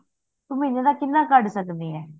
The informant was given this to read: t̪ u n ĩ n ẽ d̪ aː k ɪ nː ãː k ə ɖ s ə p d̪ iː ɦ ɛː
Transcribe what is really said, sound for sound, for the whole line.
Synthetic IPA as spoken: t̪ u m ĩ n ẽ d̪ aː k ɪ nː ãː k ə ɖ s ə k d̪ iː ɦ ɛː